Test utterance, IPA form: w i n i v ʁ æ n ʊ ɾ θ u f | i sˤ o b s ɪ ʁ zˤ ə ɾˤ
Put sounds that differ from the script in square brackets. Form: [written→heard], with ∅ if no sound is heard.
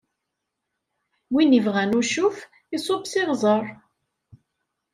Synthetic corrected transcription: w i n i v ʁ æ n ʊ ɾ [θ→ʃ] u f | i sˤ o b s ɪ ʁ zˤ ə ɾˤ